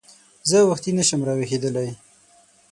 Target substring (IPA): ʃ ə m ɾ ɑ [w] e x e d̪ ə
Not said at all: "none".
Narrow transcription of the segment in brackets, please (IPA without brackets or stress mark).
w